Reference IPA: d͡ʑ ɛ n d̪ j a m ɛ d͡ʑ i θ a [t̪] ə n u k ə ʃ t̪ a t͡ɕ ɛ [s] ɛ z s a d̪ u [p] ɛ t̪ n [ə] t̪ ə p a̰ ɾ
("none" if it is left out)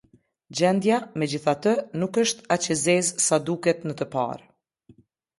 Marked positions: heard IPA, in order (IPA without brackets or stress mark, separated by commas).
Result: t̪, z, k, ə